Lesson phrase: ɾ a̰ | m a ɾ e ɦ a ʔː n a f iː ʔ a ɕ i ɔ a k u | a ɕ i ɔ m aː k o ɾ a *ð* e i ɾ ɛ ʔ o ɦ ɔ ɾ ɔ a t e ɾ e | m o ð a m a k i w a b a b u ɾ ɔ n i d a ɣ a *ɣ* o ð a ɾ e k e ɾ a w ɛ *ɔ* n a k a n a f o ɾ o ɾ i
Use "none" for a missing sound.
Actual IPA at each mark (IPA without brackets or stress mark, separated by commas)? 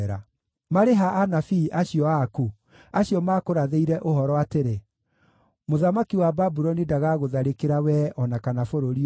ð, ɣ, ɔ